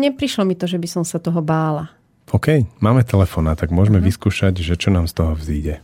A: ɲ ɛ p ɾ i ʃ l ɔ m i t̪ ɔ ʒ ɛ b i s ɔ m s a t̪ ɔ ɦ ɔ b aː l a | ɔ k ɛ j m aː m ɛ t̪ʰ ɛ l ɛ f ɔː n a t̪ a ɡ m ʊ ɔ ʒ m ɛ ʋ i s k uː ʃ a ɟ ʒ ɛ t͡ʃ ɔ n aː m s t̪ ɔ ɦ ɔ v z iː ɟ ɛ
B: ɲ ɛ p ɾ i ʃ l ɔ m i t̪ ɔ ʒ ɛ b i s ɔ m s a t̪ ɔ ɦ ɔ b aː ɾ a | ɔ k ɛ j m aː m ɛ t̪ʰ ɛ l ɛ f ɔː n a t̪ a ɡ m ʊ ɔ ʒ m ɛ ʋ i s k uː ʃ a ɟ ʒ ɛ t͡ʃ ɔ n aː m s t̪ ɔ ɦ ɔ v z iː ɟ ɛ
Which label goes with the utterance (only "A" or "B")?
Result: A